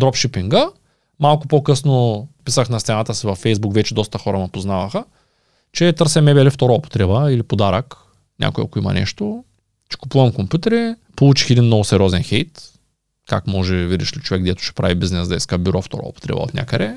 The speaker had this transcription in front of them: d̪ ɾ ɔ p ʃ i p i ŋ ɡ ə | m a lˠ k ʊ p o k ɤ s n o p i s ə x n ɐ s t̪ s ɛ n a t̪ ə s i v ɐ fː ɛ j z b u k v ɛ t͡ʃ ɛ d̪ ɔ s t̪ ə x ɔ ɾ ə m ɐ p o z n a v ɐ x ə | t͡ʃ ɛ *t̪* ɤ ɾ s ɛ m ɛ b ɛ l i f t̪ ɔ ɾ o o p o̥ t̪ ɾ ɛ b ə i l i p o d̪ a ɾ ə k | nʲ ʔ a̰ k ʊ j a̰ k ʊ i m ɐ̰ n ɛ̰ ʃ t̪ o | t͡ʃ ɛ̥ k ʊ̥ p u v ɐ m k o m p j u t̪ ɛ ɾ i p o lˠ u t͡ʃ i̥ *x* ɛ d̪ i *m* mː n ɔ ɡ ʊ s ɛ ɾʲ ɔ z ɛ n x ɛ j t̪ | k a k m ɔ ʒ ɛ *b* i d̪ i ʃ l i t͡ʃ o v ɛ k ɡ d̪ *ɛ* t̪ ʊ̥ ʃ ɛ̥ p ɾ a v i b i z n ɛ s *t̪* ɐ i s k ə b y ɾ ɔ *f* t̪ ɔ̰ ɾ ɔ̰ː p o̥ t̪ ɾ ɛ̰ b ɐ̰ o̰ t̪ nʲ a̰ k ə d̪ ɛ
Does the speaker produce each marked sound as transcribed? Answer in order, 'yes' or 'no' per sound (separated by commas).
yes, yes, no, no, yes, no, yes